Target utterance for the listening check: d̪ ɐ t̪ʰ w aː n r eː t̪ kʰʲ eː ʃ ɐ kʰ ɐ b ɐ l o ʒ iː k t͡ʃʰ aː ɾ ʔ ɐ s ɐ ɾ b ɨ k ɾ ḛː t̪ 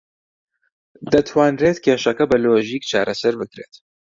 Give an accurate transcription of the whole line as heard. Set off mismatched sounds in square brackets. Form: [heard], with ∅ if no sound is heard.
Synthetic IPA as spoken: d̪ ɐ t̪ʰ w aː n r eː t̪ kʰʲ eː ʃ ɐ [k] ɐ b ɐ l o ʒ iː k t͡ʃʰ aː ɾ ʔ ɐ s ɐ ɾ b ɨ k ɾ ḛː t̪